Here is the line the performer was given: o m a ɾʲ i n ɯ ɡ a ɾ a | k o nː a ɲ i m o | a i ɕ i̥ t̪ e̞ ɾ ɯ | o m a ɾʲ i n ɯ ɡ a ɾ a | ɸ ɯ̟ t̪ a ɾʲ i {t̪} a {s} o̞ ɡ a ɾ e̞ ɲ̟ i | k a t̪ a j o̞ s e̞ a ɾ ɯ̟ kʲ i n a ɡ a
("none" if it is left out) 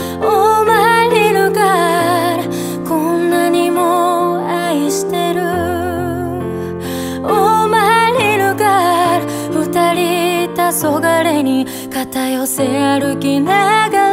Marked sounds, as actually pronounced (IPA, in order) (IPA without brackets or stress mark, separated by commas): t̪, s